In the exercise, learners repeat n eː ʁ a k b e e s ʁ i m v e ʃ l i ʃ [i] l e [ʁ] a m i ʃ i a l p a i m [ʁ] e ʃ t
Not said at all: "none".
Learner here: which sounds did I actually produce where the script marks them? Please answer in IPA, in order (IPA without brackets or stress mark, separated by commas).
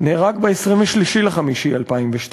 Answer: i, χ, v